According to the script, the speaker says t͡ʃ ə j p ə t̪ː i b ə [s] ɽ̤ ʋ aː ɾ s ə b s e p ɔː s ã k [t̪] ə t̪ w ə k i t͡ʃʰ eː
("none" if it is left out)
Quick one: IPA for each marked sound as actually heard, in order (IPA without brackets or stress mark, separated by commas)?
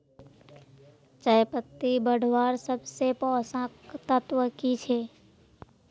none, t̪